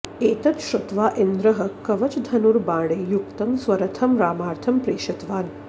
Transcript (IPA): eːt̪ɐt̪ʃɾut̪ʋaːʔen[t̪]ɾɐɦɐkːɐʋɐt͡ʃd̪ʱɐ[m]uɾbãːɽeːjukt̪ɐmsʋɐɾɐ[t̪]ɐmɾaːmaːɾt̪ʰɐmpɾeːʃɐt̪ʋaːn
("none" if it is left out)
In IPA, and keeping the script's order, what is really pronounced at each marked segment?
d̪, n, t̪ʰ

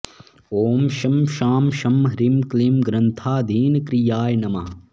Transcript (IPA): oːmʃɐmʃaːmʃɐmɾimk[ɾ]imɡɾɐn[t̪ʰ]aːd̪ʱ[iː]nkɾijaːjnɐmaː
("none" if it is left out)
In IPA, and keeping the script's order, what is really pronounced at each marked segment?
l, t̪ʰ, iː

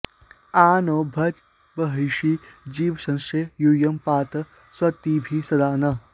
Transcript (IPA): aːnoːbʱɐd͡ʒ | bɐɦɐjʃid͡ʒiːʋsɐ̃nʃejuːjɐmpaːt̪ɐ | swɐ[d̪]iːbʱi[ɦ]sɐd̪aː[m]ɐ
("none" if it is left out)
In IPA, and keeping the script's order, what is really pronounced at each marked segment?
t̪, none, n

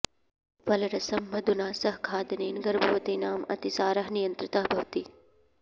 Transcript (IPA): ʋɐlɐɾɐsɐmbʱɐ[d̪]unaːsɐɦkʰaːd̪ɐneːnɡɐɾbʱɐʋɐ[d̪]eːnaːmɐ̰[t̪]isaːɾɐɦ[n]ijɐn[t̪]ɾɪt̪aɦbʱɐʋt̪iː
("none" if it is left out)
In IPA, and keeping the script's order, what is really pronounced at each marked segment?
d̪, t̪, t̪, n, t̪

